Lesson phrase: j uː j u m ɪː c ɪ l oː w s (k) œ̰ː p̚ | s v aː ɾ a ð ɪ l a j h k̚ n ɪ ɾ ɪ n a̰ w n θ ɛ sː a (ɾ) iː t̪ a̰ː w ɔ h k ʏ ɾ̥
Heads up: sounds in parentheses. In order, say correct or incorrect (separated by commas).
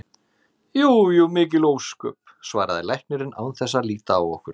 correct, incorrect